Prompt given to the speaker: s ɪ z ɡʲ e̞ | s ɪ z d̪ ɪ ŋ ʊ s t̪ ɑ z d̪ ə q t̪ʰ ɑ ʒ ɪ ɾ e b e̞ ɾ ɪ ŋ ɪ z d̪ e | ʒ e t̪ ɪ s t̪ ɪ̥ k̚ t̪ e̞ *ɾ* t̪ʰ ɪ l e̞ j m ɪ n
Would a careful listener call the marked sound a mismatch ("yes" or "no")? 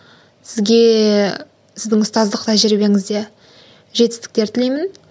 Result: no